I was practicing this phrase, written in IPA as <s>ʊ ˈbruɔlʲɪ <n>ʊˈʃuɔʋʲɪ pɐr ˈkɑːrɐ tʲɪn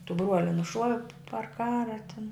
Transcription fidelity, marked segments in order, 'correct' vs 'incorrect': incorrect: t, correct

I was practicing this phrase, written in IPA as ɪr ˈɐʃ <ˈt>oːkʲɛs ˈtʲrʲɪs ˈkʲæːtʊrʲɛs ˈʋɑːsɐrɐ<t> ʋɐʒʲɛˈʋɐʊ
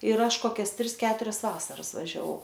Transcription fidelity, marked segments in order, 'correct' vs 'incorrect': incorrect: k, incorrect: s

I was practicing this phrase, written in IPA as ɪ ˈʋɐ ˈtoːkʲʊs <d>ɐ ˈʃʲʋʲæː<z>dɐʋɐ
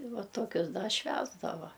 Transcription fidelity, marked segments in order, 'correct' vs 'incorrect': correct, correct

